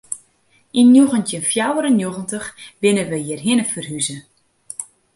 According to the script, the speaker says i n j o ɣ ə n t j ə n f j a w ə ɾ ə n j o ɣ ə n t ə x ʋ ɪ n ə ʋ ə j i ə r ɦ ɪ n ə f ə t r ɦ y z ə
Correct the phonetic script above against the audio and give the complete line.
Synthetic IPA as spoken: i n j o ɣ ə n t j ə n f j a w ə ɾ ə n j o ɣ ə n t ə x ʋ ɪ n ə ʋ ə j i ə r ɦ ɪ n ə f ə r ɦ y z ə